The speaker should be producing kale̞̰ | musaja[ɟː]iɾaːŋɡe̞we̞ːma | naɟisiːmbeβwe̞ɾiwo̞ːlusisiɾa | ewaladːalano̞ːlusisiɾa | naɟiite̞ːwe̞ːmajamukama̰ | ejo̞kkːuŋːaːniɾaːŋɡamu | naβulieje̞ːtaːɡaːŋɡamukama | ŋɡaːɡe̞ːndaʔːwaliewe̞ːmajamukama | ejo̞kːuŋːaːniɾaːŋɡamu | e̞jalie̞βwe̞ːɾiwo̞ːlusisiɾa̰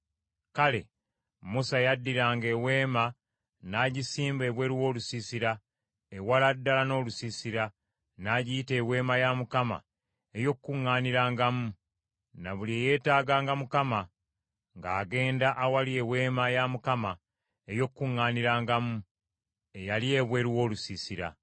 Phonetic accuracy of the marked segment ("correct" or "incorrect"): incorrect